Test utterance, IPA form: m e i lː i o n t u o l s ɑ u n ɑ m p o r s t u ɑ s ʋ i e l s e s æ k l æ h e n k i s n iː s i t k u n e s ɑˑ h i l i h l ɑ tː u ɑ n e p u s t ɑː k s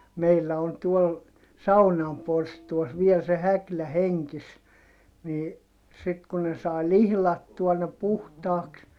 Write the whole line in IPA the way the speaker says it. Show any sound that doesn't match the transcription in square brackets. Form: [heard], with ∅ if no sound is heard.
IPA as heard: m e i lː [æ] o n t u o l s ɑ u n ɑ m p o r s t u ɑ s ʋ i e l s e [h] æ k l æ h e [ŋ] k i s n iː s i t k u n e s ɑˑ [∅] i l i h l ɑ tː u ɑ n e p u [h] t ɑː k s